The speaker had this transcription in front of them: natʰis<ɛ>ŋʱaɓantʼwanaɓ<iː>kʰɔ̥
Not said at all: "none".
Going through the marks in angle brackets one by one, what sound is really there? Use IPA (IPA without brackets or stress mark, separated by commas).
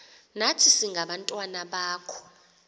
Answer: i, aː